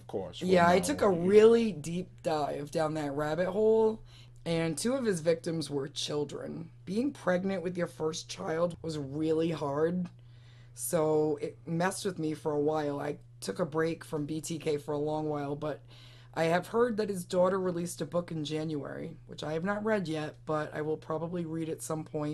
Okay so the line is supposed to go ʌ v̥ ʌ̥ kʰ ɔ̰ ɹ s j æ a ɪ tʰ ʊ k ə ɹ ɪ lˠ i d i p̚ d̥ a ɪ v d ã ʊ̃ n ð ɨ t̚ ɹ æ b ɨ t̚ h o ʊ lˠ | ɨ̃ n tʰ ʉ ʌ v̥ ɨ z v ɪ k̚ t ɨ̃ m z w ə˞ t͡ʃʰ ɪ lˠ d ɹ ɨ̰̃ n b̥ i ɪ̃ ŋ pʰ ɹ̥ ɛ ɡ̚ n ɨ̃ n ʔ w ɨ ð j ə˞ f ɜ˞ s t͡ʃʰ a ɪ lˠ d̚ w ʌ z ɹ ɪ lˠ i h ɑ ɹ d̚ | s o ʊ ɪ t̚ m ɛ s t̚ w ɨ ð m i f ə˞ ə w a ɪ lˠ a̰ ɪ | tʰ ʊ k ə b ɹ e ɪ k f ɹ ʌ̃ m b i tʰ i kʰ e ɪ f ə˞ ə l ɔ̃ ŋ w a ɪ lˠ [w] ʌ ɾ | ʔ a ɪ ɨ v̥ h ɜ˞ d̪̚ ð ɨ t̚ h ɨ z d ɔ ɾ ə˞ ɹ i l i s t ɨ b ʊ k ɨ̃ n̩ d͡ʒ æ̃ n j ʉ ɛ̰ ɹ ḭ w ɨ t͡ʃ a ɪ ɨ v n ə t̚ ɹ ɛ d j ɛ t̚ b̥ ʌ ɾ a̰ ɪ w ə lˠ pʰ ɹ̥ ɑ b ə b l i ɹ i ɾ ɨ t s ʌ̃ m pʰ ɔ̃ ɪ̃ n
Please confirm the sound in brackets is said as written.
no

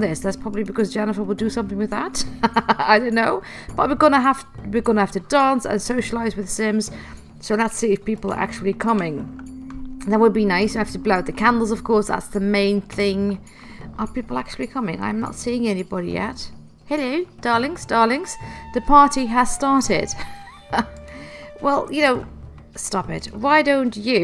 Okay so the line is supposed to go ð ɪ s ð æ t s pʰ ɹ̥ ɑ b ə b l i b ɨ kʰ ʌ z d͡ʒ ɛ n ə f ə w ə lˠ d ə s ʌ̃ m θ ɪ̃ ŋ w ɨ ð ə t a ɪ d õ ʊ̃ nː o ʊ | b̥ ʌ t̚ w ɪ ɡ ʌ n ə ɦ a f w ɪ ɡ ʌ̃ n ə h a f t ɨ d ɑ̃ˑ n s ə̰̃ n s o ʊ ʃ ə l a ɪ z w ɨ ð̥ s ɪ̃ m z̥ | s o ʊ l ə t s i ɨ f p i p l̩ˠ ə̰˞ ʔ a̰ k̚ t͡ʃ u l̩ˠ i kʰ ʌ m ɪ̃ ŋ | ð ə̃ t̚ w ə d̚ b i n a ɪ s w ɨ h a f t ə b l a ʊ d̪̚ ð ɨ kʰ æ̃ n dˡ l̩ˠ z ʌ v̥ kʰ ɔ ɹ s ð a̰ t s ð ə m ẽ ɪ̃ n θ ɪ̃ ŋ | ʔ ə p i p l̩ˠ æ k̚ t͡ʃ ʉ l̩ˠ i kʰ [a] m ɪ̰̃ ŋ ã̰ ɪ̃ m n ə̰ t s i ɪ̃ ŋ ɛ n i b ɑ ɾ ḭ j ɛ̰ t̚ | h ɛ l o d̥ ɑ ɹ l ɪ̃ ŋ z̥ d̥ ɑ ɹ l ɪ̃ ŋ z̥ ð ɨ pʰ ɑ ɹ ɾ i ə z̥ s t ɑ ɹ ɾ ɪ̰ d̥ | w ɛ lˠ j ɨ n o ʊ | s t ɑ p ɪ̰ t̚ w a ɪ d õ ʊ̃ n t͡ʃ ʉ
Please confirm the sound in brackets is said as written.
no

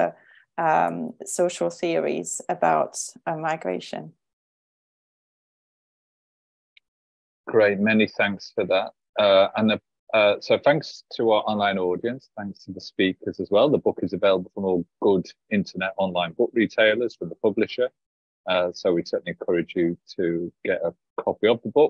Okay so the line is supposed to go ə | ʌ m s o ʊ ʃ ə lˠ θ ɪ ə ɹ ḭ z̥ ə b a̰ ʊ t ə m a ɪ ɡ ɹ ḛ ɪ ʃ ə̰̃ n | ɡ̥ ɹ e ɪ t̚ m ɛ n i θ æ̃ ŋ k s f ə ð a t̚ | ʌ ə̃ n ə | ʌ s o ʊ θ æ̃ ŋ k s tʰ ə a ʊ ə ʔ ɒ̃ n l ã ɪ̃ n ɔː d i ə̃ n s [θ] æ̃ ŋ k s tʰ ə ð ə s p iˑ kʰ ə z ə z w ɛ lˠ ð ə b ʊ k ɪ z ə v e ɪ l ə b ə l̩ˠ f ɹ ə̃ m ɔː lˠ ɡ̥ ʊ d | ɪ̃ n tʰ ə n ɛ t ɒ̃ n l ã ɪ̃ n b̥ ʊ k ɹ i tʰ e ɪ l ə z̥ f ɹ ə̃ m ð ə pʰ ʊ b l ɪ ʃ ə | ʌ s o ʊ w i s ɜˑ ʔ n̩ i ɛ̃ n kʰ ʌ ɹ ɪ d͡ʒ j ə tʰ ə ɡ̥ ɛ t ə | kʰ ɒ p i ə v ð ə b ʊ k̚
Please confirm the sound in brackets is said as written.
yes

